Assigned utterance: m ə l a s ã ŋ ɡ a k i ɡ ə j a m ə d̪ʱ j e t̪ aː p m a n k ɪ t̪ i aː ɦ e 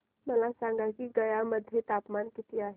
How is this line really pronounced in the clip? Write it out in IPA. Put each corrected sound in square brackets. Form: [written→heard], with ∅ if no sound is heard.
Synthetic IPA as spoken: m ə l a s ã ŋ ɡ a k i ɡ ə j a m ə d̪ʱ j e t̪ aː p m a n k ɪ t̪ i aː ɦ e